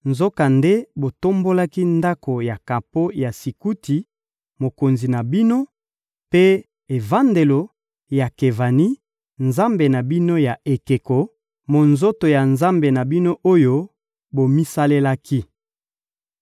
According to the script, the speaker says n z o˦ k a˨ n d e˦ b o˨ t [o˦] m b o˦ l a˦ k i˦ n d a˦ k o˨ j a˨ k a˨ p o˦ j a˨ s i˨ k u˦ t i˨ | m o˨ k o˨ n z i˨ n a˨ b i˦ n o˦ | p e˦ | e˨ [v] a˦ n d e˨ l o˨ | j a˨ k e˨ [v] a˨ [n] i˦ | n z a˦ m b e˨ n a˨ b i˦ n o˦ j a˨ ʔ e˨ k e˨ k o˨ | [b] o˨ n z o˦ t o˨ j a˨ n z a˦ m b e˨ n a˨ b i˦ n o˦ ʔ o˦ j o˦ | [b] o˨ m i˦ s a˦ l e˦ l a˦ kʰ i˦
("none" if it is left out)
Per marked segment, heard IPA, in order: o˦, v, v, n, m, b

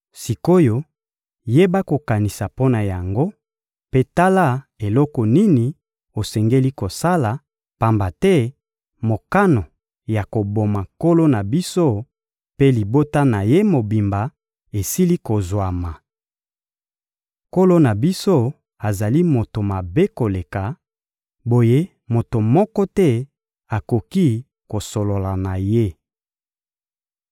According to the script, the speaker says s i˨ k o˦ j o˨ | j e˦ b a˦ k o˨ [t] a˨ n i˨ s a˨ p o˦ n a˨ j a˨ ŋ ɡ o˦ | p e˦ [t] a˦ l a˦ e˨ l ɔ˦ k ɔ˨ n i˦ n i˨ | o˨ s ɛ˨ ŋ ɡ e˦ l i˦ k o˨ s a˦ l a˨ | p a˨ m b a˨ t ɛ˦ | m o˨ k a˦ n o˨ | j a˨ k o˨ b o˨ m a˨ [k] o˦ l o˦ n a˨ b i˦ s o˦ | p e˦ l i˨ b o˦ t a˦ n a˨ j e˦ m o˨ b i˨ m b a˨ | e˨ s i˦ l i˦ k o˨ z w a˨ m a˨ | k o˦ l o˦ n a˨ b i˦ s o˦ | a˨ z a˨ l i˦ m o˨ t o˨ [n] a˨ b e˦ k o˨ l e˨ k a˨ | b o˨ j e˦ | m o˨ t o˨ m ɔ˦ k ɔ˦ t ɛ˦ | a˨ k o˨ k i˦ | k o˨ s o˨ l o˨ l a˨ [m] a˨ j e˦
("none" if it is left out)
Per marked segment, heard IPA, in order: k, t, k, m, n

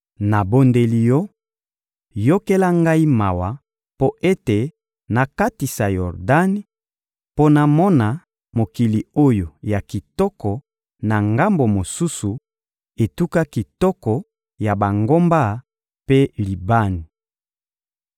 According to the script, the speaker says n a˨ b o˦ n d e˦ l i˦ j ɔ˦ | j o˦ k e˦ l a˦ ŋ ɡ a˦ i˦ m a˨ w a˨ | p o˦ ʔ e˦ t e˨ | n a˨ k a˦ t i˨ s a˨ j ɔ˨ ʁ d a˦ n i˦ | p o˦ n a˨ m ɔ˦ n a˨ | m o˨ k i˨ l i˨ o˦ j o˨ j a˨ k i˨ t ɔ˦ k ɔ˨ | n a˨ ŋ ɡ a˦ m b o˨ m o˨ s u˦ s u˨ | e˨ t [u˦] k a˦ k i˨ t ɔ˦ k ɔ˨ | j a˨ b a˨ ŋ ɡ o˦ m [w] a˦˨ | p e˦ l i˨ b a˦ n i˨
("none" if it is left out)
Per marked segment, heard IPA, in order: u˦, b

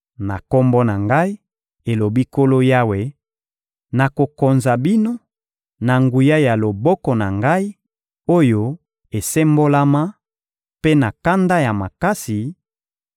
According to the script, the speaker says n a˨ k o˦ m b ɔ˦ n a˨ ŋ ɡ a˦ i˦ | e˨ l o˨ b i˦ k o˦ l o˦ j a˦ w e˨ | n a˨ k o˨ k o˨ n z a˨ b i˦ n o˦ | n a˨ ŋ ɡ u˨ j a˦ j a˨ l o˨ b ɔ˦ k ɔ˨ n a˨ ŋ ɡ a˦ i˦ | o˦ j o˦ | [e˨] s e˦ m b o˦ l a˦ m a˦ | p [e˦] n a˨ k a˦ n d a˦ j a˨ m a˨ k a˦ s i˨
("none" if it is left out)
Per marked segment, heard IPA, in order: e˨, e˦

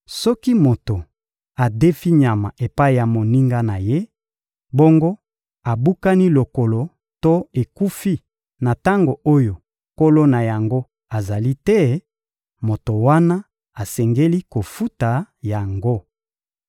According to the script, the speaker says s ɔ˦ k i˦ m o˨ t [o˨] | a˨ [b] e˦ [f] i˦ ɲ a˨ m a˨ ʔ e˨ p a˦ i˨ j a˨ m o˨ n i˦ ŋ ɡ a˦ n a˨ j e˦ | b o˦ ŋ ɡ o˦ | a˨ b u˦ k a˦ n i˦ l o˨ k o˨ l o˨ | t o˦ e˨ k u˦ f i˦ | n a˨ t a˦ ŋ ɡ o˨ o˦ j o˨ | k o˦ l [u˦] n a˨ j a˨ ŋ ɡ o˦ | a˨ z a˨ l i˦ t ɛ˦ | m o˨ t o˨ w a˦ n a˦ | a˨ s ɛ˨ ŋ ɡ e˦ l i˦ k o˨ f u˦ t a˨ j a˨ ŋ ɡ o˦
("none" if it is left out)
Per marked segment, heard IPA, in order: o˨, d, f, o˦

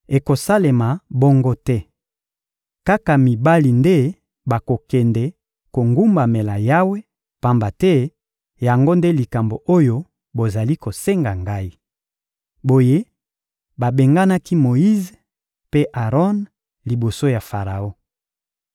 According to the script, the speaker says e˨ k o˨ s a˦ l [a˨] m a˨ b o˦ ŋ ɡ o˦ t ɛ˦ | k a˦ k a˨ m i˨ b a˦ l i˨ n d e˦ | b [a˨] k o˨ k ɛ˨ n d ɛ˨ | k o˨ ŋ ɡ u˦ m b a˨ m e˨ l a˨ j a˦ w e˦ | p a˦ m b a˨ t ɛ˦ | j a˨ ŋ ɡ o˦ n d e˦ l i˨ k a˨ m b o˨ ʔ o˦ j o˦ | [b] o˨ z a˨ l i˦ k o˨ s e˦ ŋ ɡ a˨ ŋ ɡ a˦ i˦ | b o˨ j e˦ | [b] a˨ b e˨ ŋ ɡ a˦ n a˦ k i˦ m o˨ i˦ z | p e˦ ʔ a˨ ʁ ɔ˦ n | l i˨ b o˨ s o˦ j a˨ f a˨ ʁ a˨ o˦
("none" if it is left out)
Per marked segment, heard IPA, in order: e˨, a˨, b, b

